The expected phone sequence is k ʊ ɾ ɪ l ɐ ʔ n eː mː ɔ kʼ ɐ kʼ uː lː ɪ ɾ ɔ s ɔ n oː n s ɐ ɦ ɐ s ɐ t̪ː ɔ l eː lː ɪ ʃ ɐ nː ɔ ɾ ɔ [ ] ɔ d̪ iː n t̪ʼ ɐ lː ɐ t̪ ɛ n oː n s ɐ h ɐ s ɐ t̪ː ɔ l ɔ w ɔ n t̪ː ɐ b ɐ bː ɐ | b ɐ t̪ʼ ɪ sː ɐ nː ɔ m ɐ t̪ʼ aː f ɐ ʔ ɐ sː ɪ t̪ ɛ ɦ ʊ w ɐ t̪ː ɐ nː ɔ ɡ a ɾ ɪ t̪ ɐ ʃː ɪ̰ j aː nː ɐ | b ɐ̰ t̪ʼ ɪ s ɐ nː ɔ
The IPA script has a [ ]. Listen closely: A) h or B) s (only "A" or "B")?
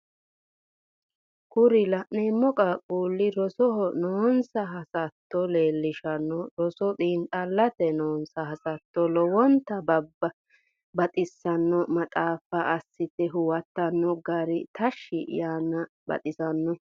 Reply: B